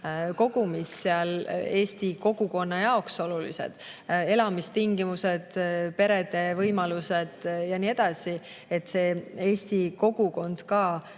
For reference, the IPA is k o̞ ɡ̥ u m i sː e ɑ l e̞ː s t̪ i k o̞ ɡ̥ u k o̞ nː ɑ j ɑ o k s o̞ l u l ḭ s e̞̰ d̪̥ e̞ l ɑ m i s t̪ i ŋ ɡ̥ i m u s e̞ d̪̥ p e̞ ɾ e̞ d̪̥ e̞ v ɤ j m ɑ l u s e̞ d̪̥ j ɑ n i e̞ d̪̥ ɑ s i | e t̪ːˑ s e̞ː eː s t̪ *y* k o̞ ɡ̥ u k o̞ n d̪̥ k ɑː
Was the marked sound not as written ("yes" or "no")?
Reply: yes